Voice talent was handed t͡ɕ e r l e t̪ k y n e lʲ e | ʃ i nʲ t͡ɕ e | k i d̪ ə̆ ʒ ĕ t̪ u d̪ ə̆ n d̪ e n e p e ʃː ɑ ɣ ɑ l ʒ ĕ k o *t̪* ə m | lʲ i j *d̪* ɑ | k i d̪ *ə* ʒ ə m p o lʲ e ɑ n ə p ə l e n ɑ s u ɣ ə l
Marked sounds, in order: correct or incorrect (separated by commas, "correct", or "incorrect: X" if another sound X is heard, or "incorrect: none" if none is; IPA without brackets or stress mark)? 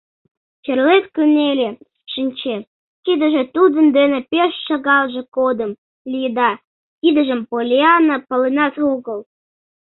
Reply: incorrect: d̪, correct, correct